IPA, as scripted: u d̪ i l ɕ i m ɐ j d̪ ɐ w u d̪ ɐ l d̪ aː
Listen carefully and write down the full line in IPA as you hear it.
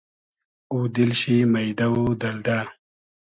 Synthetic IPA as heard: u d̪ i l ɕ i m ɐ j d̪ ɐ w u d̪ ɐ l d̪ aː